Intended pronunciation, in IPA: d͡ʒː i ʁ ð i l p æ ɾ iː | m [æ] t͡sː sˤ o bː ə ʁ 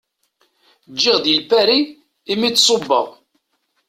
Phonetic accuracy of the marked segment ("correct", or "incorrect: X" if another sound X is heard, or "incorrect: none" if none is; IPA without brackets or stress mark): incorrect: i